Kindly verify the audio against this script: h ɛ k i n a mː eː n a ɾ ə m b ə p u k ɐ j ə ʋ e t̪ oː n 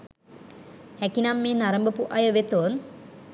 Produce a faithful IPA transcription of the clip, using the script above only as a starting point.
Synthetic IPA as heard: h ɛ k i n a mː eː n a ɾ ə m b ə p u ʔ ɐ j ə ʋ e t̪ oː n